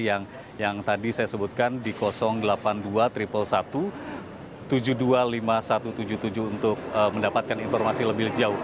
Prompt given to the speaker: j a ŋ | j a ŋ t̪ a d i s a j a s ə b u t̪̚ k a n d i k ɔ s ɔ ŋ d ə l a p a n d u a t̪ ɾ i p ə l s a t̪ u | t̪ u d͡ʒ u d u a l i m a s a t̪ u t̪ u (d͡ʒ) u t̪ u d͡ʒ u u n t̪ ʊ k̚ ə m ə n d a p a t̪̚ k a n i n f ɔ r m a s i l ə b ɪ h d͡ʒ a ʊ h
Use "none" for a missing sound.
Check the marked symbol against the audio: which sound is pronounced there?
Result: d͡ʒ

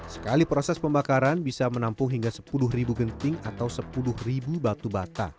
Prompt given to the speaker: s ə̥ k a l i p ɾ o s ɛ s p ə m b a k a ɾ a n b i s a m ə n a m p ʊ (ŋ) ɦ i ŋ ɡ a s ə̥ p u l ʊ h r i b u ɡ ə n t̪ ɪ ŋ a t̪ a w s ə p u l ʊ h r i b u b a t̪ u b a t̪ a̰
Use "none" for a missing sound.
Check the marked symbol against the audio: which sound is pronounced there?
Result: ŋ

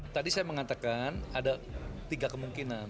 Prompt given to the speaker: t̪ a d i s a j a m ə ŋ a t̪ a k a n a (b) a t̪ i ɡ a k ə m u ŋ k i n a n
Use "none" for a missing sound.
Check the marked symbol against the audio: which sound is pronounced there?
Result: d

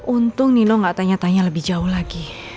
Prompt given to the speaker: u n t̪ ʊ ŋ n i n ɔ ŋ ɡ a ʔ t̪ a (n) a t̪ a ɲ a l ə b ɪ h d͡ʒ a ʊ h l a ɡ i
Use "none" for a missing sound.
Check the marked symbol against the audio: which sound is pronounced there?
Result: ɲ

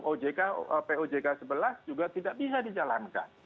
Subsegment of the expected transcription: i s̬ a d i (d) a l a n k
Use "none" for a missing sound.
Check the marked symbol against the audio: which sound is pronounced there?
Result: d͡ʒ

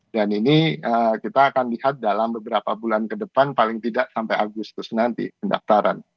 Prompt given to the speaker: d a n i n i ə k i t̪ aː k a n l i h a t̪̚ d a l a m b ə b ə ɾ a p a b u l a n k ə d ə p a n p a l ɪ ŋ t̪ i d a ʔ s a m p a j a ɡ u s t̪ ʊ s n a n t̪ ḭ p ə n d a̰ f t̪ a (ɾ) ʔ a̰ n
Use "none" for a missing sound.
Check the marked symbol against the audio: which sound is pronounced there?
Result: ɾ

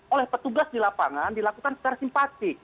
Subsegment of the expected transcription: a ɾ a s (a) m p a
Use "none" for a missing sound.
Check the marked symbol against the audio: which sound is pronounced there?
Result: i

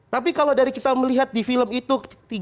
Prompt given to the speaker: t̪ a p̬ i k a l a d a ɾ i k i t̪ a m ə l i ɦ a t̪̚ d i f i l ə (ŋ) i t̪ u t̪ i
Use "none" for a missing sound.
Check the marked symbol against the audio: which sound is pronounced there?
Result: m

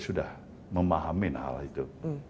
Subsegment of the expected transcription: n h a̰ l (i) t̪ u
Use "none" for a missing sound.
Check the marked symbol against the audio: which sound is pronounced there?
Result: i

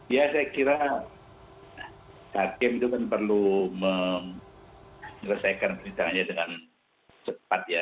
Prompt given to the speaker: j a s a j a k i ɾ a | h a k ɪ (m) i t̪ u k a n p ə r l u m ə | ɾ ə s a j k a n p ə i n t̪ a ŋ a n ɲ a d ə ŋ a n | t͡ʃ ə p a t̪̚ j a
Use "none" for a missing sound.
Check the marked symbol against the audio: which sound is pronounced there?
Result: m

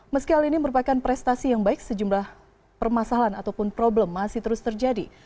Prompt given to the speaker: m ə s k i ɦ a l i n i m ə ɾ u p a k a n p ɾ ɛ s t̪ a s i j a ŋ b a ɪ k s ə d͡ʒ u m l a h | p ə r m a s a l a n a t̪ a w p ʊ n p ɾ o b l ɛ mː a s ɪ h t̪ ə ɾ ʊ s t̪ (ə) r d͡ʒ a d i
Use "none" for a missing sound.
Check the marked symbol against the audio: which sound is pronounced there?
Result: ə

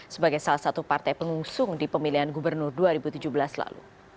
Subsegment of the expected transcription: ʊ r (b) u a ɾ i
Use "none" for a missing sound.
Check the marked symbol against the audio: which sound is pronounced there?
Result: d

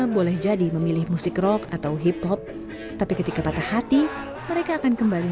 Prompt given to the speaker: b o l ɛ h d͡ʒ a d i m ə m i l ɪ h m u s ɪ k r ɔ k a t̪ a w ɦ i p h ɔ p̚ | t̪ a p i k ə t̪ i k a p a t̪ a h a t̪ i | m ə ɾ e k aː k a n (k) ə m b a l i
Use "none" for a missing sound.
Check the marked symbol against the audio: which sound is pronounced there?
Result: k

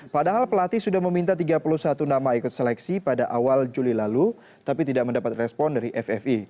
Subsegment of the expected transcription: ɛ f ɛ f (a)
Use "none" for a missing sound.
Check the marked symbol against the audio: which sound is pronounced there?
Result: i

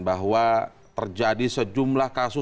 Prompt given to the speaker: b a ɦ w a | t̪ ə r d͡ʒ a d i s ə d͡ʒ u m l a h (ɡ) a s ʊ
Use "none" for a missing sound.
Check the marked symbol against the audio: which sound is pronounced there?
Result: k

